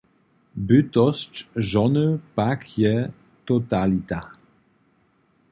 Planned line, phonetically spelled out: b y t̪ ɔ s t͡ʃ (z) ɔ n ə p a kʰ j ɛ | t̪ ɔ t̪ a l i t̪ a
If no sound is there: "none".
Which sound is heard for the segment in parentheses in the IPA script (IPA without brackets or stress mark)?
ʒ